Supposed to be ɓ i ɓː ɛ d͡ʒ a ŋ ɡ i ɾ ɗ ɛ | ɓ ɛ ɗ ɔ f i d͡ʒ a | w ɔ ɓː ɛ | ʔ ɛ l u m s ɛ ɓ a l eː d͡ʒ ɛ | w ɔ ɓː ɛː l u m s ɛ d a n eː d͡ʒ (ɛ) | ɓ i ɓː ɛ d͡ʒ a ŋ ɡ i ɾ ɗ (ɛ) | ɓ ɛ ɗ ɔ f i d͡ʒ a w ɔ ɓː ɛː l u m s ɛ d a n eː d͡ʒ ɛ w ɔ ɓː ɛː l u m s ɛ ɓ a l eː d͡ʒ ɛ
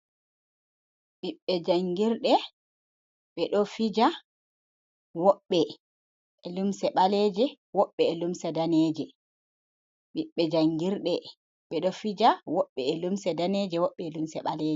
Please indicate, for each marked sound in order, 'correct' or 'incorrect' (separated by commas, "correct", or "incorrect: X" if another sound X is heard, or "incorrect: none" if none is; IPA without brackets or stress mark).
correct, correct